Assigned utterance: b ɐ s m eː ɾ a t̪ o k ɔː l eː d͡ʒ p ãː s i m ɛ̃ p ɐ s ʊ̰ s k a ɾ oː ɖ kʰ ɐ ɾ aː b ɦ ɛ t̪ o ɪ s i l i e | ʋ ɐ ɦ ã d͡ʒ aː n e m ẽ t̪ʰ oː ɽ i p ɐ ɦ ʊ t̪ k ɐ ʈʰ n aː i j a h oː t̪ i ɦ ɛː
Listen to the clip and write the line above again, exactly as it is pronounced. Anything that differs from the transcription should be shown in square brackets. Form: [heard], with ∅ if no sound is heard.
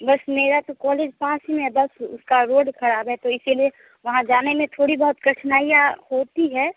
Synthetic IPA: b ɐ s m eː ɾ a t̪ o k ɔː l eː d͡ʒ p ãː s i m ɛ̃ [b] ɐ s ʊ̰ s k a ɾ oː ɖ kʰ ɐ ɾ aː b ɦ ɛ t̪ o ɪ s i l i e | ʋ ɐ ɦ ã d͡ʒ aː n e m ẽ t̪ʰ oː ɽ i [b] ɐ ɦ ʊ t̪ k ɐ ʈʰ n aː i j a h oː t̪ i ɦ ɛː